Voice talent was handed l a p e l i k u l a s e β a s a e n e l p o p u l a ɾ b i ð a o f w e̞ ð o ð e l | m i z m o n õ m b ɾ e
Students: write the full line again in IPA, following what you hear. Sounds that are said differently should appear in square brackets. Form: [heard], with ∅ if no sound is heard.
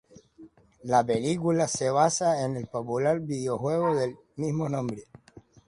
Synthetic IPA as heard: l a p e l i k u l a s e β a s a e n e l p o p u l a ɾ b i ð [e] o [x] w e̞ [ɣ] o ð e l | m i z m o n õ m b ɾ e